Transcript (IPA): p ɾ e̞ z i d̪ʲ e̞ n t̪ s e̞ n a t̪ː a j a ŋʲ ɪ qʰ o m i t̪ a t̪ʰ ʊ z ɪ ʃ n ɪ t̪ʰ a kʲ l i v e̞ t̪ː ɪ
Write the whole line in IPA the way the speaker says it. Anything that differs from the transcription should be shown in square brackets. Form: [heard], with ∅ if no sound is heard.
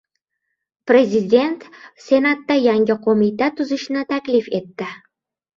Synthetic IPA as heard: p ɾ e̞ z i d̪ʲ e̞ n t̪ s e̞ n a t̪ː a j a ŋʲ ɪ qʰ o m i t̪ a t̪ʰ ʊ z ɪ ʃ n ɪ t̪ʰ a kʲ l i [f] e̞ t̪ː ɪ